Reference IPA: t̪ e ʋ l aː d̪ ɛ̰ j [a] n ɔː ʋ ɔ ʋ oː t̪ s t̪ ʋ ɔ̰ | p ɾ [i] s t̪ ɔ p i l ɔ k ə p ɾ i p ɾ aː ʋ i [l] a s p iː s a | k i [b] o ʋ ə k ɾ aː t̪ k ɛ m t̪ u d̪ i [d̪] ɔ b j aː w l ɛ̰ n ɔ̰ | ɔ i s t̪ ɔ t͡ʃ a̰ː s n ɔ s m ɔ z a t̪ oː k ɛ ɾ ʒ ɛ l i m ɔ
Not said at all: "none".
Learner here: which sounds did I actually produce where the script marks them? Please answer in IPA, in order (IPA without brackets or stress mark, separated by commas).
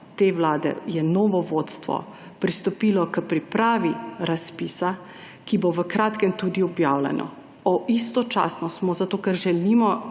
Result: ɛ, i, ɾ, b, none